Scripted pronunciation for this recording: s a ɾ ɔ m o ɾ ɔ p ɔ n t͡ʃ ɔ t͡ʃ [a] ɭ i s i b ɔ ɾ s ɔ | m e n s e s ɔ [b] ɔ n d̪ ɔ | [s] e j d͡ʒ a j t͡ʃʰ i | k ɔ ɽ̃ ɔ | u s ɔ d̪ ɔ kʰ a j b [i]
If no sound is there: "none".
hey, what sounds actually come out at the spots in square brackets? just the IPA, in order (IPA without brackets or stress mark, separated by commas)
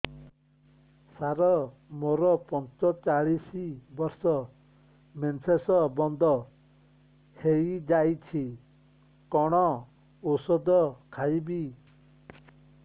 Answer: a, b, h, i